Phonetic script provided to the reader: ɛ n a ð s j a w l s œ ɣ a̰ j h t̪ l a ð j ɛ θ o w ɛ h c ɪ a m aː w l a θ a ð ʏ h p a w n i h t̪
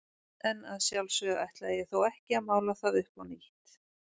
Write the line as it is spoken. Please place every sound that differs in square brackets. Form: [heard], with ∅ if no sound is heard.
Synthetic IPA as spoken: ɛ n a ð s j a w l s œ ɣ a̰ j h t̪ l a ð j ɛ θ o w ɛ h c ɪ a m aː w l a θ a ð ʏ h p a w n i h t̪